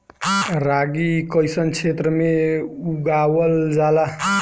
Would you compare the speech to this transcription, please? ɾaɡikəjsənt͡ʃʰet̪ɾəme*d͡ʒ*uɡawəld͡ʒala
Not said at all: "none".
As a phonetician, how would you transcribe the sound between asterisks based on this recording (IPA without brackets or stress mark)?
none